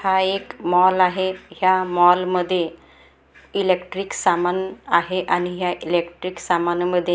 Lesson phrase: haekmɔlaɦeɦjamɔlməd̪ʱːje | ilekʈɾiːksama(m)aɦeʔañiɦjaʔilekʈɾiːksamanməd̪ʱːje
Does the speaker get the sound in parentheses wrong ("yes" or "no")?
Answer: yes